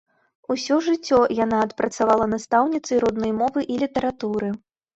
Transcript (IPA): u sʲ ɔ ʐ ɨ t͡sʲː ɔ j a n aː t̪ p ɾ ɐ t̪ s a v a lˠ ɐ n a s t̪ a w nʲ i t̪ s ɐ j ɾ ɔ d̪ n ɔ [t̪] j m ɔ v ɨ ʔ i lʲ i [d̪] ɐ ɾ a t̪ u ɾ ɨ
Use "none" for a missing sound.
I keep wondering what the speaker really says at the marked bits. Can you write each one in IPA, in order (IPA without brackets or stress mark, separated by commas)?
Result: none, t̪